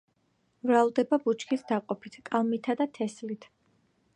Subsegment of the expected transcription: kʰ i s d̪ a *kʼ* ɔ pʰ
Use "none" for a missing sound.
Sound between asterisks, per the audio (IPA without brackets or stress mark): qʼ